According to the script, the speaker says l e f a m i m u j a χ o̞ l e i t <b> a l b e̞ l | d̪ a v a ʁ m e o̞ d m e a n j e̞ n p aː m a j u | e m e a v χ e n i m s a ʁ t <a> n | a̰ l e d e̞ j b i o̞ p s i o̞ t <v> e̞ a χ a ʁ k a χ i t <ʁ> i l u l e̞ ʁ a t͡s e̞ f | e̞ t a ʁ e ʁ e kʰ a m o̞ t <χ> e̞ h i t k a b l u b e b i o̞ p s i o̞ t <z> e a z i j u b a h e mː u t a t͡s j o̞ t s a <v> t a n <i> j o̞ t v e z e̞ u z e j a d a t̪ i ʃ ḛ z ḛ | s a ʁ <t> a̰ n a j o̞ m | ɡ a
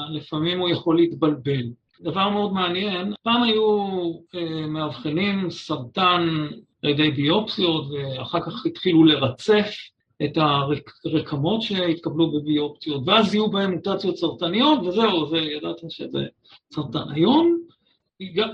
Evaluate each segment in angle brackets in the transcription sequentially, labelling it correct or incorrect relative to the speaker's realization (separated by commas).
correct, correct, correct, incorrect, incorrect, incorrect, incorrect, correct, correct